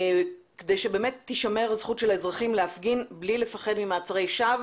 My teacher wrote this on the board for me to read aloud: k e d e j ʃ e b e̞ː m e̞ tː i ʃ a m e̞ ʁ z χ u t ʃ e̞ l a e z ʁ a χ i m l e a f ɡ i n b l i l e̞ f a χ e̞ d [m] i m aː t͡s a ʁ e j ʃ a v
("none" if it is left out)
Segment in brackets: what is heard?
m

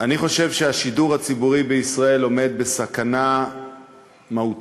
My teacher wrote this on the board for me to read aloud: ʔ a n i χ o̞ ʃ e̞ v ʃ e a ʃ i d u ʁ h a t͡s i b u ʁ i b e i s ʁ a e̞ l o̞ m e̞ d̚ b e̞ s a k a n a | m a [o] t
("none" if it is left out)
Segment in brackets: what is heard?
u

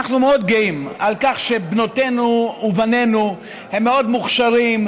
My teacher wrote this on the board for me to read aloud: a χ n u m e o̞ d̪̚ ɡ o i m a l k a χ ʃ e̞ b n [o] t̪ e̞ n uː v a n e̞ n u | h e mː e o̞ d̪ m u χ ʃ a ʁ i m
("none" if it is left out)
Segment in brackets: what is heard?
o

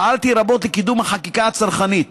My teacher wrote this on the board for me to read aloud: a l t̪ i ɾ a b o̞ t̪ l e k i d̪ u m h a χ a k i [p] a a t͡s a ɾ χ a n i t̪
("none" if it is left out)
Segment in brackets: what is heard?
k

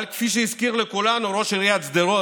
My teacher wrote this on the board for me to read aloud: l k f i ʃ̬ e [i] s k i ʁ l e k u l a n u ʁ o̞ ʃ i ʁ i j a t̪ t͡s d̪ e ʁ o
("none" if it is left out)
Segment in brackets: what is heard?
i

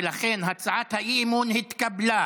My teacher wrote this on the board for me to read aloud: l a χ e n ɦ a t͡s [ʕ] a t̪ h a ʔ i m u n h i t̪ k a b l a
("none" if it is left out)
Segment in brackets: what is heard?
ʕ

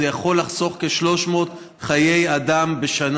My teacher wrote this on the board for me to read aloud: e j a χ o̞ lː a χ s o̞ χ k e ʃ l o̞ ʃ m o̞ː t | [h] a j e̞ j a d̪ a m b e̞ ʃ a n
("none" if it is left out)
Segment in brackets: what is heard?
χ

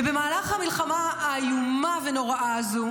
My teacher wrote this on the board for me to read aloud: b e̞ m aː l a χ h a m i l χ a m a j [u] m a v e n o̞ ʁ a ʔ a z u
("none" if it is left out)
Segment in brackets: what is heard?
u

